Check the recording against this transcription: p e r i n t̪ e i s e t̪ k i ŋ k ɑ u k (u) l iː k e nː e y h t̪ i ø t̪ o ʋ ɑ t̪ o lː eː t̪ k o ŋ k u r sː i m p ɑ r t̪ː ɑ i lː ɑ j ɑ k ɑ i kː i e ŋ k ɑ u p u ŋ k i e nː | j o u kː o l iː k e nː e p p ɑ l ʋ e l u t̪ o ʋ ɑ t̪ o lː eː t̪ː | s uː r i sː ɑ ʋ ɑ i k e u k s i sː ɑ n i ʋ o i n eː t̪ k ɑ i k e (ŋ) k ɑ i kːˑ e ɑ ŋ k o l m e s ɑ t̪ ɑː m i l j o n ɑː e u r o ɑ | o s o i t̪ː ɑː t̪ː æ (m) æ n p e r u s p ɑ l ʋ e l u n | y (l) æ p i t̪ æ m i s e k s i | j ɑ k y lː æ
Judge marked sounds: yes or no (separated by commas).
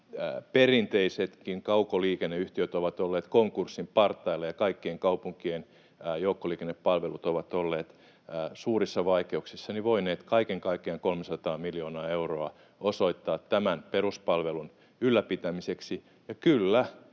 no, yes, yes, no